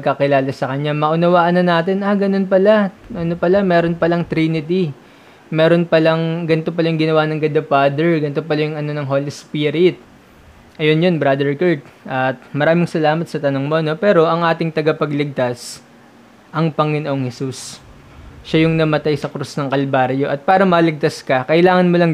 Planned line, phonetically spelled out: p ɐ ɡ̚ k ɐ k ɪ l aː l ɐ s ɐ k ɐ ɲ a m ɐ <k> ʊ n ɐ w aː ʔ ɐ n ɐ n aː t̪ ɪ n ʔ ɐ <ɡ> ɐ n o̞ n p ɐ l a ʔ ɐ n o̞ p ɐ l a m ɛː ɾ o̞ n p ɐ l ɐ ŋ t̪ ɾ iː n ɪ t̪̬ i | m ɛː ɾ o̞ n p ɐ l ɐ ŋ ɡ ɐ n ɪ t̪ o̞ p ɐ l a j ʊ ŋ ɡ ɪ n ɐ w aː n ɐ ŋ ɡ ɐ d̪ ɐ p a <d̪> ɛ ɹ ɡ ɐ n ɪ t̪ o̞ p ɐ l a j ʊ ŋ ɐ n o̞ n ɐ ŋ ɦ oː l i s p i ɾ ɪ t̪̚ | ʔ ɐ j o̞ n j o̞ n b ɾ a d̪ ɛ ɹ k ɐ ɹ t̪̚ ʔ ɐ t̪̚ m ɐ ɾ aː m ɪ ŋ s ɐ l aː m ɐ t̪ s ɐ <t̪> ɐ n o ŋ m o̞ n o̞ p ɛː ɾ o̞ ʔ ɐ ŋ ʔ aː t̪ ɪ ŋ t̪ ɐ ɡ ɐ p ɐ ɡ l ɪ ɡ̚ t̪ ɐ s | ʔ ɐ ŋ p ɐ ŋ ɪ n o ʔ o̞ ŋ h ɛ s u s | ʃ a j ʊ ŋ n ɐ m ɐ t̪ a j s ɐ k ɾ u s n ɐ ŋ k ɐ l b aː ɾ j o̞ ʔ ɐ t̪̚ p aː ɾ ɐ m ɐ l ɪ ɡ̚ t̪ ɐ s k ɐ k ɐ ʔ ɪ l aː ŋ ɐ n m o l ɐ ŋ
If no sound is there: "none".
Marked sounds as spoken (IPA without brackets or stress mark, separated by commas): ʔ, ɡ, d̪, t̪